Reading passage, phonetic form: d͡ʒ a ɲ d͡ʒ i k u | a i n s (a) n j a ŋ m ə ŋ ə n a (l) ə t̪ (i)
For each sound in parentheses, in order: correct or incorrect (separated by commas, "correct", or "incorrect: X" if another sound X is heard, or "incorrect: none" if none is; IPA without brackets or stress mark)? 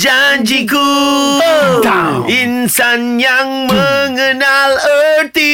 correct, correct, correct